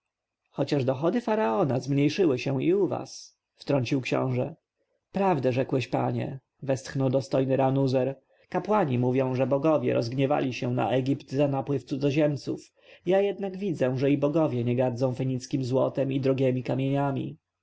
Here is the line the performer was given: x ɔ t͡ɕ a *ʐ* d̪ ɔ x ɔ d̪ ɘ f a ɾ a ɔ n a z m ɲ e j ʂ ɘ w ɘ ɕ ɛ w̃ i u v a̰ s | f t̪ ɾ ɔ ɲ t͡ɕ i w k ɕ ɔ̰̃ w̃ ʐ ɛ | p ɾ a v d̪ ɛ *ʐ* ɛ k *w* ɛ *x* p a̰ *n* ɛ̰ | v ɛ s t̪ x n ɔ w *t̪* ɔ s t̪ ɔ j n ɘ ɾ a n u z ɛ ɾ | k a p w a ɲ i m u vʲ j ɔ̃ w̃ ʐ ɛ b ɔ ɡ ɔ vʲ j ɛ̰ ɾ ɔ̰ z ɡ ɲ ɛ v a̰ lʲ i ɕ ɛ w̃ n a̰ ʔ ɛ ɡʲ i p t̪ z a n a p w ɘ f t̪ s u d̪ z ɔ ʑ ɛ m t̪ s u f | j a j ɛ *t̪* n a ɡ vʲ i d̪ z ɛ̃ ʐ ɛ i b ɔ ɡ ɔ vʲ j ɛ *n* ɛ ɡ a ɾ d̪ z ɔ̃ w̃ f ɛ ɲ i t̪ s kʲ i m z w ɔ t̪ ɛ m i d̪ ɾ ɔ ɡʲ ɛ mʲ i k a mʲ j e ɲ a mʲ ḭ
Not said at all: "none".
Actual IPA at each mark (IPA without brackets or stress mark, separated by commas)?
ʐ, ʐ, w, ɕ, ɲ, d̪, d̪, ɲ